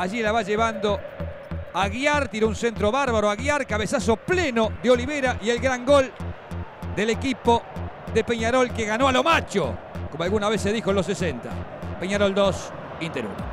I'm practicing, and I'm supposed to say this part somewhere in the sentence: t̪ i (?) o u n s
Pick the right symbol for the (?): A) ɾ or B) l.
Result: A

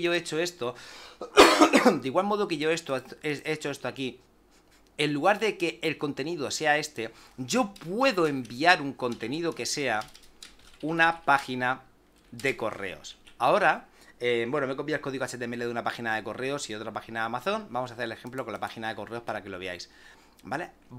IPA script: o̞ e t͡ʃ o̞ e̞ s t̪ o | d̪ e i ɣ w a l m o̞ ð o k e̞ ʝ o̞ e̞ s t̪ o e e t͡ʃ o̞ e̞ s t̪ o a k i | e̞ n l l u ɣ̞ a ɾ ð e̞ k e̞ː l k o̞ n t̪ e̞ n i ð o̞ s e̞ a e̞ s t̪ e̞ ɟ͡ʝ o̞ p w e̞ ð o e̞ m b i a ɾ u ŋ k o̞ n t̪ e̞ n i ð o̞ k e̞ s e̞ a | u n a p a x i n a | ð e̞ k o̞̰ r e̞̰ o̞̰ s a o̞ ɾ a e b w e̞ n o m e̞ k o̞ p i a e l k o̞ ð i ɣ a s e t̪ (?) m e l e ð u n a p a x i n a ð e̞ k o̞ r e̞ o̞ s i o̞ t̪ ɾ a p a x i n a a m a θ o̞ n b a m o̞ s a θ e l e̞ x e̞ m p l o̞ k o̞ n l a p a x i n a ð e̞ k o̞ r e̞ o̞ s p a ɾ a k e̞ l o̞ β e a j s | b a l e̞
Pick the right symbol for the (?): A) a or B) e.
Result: B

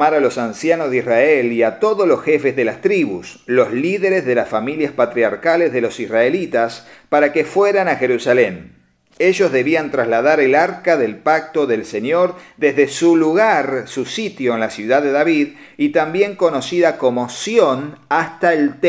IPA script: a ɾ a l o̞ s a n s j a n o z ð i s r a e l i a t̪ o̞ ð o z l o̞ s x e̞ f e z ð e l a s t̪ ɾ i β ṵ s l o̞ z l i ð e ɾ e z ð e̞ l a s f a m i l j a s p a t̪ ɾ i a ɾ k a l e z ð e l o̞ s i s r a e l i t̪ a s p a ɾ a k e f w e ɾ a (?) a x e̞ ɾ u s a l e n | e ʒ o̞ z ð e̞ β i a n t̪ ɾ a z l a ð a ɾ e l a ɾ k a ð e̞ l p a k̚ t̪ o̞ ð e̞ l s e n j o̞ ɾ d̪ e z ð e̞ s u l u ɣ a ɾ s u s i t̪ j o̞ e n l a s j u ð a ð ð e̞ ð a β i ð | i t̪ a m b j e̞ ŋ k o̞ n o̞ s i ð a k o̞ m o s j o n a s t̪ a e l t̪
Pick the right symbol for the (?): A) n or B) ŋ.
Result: A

